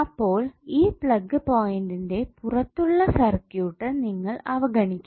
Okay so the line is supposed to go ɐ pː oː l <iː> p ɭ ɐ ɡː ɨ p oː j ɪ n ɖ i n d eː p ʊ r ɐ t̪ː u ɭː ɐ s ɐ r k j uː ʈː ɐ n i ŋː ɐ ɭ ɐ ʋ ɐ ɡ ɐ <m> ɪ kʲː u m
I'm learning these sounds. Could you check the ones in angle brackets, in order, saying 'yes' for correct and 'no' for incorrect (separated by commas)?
yes, no